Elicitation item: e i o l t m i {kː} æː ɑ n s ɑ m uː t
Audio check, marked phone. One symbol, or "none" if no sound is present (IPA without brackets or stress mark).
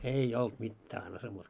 tː